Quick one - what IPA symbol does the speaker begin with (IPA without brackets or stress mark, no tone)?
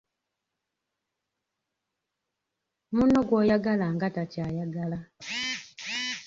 m